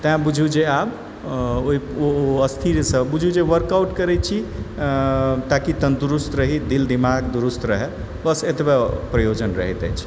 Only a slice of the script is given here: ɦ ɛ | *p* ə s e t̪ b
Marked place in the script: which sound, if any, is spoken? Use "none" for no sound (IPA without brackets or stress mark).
b